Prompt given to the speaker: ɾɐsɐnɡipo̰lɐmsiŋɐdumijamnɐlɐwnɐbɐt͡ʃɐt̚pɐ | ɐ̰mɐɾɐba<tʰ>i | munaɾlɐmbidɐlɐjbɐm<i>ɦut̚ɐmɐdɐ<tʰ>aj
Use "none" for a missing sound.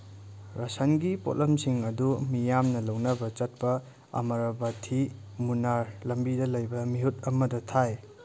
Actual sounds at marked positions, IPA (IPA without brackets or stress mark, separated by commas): tʰ, i, tʰ